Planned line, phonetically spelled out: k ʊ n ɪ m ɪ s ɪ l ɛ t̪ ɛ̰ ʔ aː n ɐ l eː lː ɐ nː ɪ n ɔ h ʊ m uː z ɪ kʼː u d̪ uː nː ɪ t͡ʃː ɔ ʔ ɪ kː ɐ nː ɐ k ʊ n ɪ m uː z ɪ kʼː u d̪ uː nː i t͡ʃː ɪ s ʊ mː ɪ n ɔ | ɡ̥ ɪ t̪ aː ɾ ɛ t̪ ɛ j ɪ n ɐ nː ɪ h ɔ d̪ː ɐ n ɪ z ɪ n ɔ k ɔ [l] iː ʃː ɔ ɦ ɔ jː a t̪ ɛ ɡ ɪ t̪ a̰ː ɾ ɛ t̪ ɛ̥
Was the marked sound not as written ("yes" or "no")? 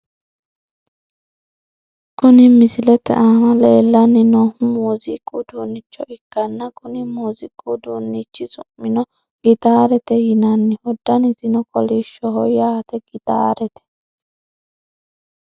no